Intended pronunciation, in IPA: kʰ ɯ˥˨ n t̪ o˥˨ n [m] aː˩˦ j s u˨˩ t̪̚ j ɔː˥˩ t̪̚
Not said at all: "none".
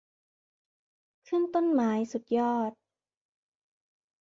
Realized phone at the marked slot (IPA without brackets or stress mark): m